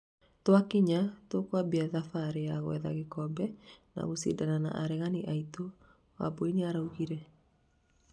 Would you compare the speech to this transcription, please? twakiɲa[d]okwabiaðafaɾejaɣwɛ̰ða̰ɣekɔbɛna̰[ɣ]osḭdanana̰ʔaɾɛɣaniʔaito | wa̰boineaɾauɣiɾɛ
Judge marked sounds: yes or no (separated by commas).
no, yes